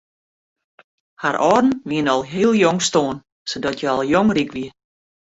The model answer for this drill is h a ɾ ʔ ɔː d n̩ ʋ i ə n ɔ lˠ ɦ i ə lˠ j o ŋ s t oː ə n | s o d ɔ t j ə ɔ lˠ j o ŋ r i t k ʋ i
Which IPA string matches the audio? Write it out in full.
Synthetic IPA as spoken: h a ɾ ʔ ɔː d n̩ ʋ i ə n ɔ lˠ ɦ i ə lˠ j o ŋ s t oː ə n | s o d ɔ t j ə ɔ lˠ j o ŋ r i k ʋ i